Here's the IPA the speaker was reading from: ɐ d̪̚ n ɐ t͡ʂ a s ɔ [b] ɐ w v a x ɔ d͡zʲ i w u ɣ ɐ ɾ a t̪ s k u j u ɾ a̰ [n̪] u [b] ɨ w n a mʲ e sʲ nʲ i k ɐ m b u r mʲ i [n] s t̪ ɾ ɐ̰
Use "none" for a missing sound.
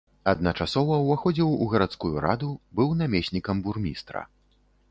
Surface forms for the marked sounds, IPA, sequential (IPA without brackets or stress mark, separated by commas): v, d̪, b, none